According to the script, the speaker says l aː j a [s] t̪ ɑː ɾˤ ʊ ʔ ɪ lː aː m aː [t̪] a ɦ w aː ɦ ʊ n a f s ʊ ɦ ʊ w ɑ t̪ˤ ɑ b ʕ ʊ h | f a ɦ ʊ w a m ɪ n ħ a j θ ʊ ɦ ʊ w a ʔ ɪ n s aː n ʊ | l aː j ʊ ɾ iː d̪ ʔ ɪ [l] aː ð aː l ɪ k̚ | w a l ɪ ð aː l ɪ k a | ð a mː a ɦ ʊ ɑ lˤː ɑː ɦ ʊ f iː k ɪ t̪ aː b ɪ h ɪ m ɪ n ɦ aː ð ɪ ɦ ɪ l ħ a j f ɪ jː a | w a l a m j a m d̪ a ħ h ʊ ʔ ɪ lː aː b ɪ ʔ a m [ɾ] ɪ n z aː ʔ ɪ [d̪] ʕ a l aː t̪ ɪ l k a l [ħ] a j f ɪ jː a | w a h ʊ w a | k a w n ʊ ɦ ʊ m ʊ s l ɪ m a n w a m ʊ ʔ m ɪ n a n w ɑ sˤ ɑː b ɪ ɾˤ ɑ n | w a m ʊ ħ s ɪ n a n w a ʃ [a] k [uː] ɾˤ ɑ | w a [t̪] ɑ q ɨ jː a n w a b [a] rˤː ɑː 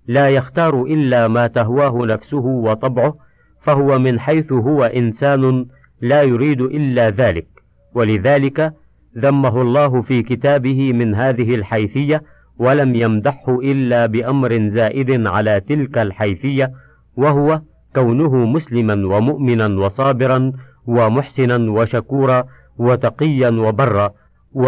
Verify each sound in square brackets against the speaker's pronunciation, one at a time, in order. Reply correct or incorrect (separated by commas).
incorrect, correct, incorrect, correct, correct, correct, correct, correct, correct, incorrect